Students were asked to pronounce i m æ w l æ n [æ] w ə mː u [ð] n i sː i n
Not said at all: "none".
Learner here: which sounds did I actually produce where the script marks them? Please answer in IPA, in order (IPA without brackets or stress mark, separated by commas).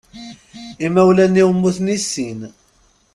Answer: i, θ